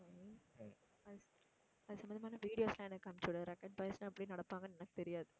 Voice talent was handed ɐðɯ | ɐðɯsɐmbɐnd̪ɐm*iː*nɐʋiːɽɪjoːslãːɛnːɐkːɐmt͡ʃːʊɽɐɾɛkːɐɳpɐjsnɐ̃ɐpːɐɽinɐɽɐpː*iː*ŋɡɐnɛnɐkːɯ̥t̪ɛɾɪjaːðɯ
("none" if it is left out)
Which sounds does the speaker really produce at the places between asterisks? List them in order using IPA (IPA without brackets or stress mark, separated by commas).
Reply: aː, aː